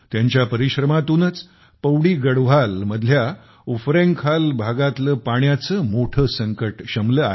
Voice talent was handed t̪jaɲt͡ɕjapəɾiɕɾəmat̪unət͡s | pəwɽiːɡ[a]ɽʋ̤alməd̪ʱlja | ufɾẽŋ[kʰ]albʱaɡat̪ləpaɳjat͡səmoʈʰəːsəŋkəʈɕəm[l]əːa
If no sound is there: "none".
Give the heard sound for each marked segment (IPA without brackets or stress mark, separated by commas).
ə, kʰ, l